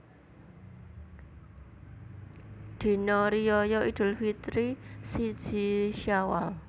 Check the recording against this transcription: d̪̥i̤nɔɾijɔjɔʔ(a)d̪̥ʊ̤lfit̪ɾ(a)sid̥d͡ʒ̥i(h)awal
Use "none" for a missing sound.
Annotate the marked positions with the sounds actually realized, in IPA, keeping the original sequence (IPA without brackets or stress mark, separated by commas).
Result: i, i, ʃ